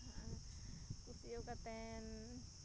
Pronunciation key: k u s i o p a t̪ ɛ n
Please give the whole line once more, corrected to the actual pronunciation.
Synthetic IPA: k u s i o k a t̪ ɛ n